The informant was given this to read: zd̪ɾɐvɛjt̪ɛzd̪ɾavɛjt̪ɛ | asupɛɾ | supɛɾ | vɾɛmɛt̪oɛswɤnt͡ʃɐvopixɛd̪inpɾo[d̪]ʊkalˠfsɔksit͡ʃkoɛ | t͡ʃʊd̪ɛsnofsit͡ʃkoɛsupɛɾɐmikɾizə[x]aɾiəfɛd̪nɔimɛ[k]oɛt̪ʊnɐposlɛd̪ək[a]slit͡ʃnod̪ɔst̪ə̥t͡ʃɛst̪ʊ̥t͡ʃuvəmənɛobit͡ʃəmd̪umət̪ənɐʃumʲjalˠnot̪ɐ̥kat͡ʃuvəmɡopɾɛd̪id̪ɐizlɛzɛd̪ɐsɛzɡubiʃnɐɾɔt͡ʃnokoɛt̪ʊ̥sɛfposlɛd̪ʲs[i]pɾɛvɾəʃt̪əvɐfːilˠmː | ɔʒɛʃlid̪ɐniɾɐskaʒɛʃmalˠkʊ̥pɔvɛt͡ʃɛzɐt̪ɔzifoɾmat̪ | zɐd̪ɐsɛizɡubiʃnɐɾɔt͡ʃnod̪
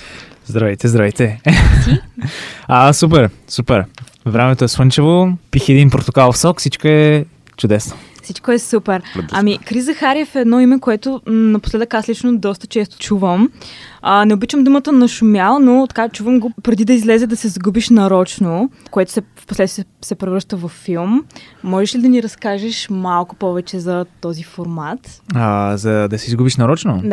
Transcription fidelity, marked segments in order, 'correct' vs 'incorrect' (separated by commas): incorrect, correct, correct, correct, incorrect